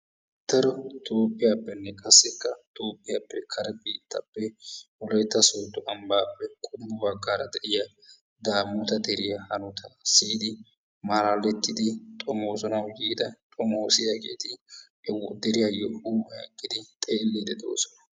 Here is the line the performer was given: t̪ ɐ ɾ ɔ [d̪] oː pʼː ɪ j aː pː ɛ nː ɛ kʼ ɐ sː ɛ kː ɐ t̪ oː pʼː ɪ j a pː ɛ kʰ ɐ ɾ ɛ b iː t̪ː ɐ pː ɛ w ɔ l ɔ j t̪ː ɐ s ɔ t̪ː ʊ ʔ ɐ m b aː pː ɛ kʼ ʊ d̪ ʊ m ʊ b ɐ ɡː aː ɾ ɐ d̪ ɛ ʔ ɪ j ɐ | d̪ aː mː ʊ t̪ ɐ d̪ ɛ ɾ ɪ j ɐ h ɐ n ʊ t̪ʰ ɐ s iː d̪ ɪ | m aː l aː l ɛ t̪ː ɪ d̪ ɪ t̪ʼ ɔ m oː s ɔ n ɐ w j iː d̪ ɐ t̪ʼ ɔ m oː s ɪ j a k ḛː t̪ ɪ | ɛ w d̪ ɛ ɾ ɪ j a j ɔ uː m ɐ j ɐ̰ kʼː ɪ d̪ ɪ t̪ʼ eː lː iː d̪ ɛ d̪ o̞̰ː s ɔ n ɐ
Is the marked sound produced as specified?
no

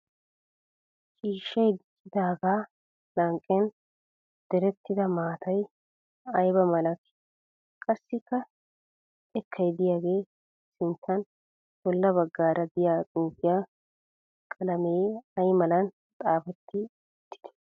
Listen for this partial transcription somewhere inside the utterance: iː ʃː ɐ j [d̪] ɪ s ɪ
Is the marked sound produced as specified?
yes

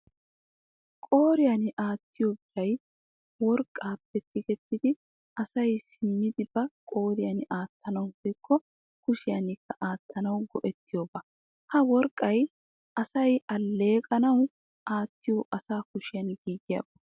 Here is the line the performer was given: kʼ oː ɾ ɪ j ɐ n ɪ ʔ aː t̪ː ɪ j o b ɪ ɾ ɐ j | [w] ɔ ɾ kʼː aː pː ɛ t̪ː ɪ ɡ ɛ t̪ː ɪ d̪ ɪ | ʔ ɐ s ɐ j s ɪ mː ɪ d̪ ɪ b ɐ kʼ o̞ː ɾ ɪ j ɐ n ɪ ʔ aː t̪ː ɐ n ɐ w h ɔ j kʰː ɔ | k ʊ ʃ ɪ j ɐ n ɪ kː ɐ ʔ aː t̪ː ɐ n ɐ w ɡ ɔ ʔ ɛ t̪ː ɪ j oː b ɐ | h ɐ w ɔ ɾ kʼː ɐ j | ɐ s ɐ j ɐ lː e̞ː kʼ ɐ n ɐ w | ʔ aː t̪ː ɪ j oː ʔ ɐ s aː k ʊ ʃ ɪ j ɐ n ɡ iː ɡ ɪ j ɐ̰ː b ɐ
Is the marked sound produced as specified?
yes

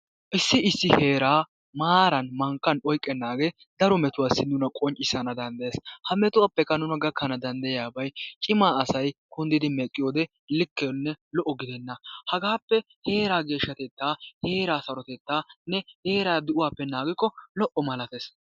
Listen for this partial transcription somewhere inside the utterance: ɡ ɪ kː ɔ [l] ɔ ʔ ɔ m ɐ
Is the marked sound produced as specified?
yes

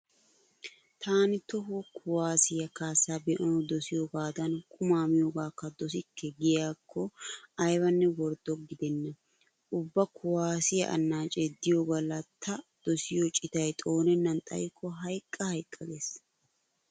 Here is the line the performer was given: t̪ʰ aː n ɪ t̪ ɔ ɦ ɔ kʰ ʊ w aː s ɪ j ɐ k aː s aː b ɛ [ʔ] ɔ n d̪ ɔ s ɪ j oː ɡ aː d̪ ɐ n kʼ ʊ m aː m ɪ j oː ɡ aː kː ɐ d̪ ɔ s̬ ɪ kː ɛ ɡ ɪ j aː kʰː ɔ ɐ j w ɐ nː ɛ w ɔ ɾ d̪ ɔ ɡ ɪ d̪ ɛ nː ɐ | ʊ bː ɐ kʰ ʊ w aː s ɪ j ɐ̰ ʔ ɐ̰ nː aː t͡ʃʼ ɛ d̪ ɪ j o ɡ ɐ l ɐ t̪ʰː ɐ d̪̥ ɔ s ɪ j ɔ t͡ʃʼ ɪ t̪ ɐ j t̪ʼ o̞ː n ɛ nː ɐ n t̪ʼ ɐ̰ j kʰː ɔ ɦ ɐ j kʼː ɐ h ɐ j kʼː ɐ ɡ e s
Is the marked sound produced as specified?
yes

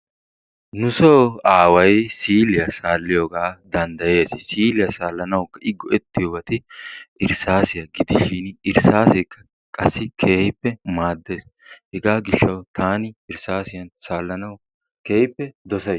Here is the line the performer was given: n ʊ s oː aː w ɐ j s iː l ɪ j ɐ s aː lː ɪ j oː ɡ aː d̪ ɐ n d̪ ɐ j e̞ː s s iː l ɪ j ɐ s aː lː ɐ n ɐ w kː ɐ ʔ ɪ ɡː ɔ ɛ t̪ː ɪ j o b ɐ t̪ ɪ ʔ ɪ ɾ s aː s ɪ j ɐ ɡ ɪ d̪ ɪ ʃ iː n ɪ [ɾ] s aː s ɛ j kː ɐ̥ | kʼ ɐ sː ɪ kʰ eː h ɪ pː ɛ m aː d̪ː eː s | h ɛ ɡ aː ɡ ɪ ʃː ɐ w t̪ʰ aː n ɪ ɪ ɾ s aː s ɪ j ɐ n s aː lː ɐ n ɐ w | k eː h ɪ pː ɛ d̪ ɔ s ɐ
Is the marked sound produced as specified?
yes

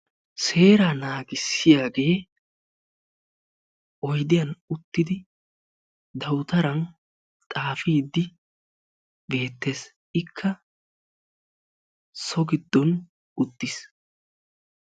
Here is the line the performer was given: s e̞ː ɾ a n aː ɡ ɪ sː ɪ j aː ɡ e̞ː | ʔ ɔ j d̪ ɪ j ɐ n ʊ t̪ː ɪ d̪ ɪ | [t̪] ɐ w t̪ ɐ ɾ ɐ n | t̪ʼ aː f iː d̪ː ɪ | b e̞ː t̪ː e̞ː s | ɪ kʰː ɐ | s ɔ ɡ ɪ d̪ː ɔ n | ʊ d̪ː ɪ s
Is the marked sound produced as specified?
no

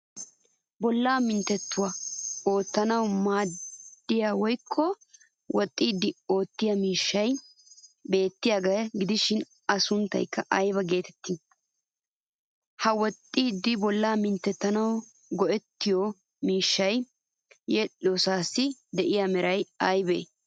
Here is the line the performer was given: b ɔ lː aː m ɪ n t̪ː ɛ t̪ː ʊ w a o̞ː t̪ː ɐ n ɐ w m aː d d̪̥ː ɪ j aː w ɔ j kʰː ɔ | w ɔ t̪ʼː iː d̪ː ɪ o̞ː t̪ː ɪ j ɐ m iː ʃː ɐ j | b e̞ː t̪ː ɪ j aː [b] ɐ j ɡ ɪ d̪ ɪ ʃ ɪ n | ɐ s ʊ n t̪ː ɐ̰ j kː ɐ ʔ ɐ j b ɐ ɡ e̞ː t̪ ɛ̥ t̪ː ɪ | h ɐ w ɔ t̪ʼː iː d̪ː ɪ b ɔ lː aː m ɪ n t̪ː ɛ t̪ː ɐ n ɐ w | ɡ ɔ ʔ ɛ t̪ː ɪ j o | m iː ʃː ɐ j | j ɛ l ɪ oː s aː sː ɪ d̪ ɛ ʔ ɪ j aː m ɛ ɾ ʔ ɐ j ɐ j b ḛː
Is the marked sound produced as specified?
no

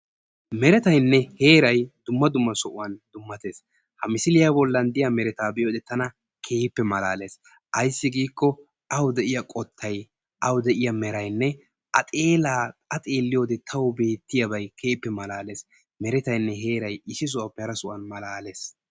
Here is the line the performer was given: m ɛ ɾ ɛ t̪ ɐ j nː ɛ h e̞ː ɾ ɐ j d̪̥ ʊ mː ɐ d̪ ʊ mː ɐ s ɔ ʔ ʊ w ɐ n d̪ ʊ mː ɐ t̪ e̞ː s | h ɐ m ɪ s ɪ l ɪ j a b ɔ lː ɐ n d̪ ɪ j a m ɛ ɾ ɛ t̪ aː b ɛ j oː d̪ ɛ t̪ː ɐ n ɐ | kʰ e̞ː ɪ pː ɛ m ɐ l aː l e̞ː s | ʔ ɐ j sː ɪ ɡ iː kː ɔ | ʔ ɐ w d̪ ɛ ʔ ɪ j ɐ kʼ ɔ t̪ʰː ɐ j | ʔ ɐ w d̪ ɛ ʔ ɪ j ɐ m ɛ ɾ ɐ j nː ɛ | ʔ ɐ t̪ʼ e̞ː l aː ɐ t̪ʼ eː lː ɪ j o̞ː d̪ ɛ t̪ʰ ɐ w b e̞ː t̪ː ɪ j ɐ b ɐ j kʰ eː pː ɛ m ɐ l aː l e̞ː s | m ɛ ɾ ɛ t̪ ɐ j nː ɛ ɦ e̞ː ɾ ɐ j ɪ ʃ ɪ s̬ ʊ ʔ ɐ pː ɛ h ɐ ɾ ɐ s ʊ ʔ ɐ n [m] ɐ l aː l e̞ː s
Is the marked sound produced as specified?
yes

